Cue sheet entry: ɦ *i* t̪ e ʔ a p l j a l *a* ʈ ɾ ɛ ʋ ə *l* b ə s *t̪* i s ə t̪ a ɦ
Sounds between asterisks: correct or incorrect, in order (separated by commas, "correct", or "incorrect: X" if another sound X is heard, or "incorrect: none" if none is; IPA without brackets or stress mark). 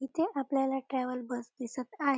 correct, correct, correct, incorrect: d̪